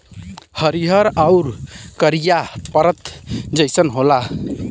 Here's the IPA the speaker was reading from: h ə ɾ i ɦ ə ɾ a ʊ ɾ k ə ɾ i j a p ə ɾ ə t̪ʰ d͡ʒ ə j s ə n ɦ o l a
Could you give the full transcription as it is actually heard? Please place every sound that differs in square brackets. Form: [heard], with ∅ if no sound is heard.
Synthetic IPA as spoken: h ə ɾ i ɦ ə ɾ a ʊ ɾ k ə ɾ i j a p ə ɾ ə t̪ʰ d͡ʒ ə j s ə n ɦ o l a